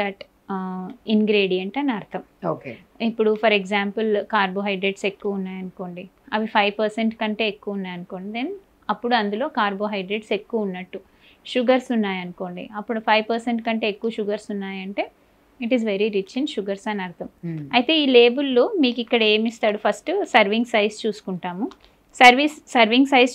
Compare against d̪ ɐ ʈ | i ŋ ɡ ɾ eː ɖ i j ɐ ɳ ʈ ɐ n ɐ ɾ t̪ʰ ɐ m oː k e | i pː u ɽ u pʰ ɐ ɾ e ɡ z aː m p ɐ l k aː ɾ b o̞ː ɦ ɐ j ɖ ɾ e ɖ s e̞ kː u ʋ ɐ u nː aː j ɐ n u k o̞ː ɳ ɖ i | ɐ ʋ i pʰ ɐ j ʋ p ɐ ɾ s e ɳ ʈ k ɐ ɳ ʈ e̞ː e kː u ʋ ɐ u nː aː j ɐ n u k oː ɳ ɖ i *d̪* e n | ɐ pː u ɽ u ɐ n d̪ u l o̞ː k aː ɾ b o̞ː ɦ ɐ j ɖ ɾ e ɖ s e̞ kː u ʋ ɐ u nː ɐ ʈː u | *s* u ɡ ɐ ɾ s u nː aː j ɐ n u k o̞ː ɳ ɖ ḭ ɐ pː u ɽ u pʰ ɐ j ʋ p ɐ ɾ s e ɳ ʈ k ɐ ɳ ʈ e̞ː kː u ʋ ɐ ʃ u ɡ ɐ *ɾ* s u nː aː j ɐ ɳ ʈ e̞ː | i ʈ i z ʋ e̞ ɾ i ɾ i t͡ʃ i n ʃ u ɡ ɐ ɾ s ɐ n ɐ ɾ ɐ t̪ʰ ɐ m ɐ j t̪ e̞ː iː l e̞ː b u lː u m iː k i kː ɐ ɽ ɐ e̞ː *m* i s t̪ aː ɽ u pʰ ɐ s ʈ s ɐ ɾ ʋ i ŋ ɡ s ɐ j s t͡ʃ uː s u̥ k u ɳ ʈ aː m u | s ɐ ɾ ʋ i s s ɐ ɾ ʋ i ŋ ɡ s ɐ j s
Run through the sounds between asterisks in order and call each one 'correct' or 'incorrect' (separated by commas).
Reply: correct, incorrect, correct, correct